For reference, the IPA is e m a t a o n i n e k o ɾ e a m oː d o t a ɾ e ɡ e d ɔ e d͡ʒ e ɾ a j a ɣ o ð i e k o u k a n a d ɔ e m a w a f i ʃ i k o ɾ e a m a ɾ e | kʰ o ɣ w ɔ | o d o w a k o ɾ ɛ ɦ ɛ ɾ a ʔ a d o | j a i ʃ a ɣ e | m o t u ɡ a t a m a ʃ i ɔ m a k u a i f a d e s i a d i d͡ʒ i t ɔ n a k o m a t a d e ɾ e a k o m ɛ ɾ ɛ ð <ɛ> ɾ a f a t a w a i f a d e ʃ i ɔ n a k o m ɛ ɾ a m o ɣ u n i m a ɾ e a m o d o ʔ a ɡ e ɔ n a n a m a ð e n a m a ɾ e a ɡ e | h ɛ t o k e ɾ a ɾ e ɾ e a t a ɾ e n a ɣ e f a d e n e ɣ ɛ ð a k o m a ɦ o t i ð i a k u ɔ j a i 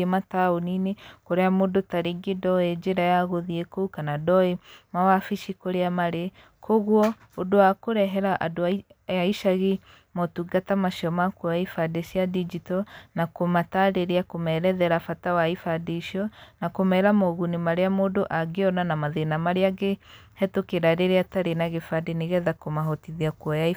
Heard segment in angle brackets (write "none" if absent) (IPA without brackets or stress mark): ɛ